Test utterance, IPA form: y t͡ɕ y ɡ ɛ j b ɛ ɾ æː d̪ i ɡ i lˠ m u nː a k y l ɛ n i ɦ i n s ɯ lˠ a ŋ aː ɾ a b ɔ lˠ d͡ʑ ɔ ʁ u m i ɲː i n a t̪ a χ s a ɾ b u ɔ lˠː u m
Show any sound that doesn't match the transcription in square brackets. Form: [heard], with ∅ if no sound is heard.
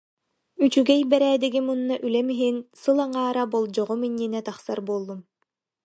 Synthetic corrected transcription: y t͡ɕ y ɡ ɛ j b ɛ ɾ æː d̪ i ɡ i [∅] m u nː a [ʔ] y l ɛ [m] i ɦ i n s ɯ lˠ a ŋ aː ɾ a b ɔ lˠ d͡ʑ ɔ ʁ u m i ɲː i n [ɛ] t̪ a χ s a ɾ b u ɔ lˠː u m